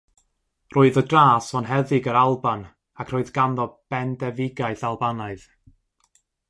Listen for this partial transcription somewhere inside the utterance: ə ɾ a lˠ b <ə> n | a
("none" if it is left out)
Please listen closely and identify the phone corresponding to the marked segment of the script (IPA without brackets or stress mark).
a